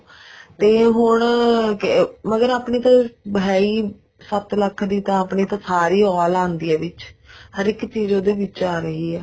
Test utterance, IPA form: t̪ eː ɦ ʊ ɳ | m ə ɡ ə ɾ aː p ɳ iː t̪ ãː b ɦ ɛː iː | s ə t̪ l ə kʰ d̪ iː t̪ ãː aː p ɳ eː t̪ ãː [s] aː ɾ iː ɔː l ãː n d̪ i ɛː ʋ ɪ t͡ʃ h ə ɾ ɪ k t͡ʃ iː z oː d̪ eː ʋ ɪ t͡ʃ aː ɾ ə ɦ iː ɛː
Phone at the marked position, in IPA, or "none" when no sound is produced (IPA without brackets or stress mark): s